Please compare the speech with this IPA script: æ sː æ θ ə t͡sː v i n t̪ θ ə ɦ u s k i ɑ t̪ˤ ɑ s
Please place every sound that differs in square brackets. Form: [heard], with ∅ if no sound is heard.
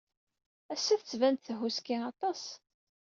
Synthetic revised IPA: æ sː æ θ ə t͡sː v [æ] n t̪ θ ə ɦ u s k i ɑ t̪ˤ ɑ s